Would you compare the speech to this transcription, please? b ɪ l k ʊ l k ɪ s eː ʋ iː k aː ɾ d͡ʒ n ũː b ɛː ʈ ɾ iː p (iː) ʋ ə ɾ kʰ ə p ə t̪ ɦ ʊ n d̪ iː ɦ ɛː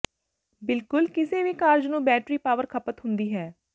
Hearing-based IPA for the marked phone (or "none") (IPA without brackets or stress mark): aː